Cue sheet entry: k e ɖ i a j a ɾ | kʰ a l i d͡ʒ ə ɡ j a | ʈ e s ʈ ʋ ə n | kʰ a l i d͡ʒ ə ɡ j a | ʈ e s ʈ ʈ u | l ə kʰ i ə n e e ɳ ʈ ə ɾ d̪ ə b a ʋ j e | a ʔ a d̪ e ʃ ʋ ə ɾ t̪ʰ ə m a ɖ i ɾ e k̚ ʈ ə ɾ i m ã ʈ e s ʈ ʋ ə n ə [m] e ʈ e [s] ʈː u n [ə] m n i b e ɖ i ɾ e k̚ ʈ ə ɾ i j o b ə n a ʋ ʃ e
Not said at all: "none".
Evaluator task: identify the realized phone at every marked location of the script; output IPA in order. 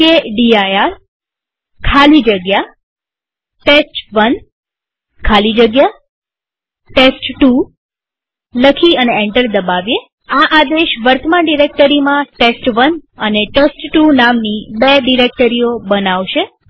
n, s, a

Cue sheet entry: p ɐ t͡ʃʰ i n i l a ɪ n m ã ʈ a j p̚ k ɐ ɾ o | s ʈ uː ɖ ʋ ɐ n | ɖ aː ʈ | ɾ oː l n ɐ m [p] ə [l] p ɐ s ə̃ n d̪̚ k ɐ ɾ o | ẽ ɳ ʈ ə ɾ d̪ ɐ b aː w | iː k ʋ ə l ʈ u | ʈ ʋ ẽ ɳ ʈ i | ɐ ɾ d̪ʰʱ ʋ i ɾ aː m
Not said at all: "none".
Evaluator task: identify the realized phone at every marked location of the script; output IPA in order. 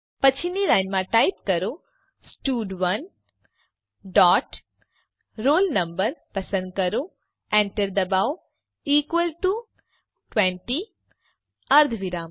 b, ɾ

